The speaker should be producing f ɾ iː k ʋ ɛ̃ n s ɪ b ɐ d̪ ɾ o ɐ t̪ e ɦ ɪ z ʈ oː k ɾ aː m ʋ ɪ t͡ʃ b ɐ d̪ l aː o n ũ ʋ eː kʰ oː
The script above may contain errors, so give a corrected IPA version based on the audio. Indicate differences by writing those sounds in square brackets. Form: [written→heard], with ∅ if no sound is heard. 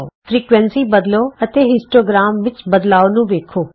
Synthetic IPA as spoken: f ɾ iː k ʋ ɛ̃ n s [ɪ→i] b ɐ d̪ [ɾ→l] o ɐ t̪ e ɦ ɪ [z→s] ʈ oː [k→ɡ] ɾ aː m ʋ ɪ t͡ʃ b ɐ d̪ l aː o n ũ ʋ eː kʰ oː